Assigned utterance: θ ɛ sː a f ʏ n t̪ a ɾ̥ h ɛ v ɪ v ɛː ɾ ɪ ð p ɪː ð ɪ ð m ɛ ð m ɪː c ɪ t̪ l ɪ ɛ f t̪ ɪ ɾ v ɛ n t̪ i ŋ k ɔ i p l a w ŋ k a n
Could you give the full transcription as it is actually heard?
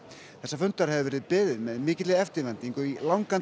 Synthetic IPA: θ ɛ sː a f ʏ n t̪ a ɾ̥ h ɛ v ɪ v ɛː ɾ ɪ ð p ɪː ð ɪ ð m ɛ ð m ɪː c ɪ t̪ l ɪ ɛ f t̪ ɪ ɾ v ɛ n t̪ i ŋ k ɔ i l a w ŋ k a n